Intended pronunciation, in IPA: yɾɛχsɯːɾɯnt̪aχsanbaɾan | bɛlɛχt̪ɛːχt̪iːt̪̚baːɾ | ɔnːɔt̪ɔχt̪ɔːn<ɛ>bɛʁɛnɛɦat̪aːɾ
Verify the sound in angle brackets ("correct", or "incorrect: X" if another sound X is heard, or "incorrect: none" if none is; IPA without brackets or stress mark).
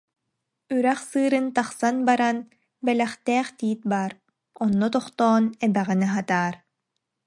correct